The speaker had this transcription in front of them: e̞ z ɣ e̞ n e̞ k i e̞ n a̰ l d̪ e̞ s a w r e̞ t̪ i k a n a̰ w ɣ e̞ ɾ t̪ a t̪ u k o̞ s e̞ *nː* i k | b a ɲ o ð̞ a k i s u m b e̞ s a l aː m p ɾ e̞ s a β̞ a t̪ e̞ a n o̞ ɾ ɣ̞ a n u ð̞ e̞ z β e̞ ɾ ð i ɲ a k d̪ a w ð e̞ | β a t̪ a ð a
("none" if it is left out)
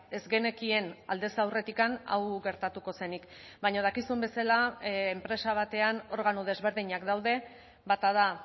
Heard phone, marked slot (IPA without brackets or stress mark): n